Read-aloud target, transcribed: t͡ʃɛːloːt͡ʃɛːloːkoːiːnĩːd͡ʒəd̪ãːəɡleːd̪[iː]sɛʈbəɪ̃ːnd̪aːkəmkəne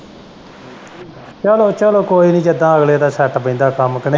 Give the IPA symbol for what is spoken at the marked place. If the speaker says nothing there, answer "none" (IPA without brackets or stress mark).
aː